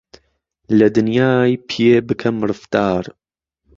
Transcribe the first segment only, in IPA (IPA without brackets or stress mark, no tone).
l